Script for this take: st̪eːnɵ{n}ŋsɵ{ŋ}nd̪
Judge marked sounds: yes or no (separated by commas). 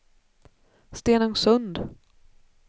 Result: no, no